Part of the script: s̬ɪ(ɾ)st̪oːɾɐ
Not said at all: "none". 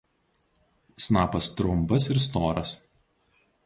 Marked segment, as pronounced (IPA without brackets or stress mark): ɾ